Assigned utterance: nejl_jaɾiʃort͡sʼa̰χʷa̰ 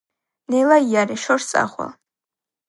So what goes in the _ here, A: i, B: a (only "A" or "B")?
B